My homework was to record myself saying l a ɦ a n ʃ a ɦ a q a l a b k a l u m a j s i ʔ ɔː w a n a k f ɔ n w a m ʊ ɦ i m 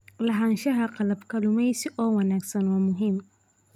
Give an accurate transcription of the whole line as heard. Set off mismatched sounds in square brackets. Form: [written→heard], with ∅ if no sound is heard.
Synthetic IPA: l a ɦ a n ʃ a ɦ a q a l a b k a l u m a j s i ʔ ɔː w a n a k [f→s] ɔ n w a m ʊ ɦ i m